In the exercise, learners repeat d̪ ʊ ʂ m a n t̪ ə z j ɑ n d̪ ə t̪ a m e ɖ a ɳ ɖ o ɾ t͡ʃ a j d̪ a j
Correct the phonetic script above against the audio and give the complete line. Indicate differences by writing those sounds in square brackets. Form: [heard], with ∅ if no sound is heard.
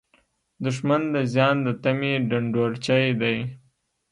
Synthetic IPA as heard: d̪ ʊ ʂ m a n [d̪] ə z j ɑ n d̪ ə t̪ a m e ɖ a ɳ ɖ o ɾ t͡ʃ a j d̪ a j